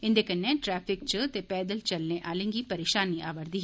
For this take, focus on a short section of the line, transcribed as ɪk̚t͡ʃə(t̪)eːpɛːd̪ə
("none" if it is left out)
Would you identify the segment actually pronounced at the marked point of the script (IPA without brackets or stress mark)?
t̪